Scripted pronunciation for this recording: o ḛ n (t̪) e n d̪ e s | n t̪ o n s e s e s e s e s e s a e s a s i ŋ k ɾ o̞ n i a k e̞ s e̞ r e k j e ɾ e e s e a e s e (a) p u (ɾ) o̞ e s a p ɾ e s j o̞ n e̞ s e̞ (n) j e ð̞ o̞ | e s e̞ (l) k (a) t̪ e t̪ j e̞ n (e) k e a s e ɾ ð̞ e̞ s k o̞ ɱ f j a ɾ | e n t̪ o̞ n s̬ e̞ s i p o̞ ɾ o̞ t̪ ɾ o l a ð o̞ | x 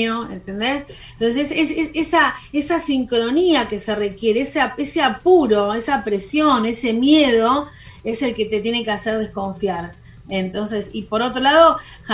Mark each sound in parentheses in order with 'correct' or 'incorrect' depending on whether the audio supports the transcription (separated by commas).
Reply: correct, correct, correct, incorrect, correct, incorrect, correct